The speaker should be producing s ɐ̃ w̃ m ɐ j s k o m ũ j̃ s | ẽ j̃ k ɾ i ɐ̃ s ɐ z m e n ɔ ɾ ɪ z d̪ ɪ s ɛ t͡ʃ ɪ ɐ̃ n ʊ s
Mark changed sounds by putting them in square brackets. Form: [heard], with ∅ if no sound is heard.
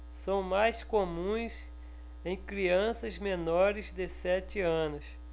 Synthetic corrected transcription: s ɐ̃ w̃ m [a] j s k o m ũ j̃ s | ẽ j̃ k ɾ i ɐ̃ s ɐ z m e n ɔ ɾ ɪ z d̪ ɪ s ɛ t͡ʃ ɪ ɐ̃ n ʊ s